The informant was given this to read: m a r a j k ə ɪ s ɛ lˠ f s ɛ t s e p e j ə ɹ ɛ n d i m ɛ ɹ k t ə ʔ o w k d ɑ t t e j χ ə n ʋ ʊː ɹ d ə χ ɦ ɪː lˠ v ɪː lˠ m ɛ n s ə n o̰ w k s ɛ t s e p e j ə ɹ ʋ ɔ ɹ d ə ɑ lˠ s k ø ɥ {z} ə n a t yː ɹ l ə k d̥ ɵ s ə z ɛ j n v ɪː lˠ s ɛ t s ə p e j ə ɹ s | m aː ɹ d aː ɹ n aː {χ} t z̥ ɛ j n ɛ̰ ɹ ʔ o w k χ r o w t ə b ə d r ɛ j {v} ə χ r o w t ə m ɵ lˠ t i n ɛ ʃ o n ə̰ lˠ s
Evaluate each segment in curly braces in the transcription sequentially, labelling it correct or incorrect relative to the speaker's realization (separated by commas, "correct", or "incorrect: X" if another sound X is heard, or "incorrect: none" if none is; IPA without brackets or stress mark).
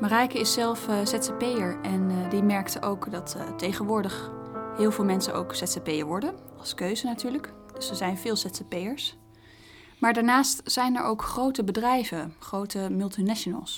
correct, incorrect: s, correct